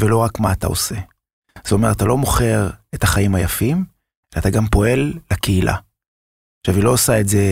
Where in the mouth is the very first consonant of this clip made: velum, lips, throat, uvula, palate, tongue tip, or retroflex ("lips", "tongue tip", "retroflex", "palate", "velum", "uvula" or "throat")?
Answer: lips